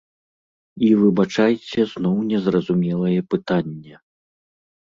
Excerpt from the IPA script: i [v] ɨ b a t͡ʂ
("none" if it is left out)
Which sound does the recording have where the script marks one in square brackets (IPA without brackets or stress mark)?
v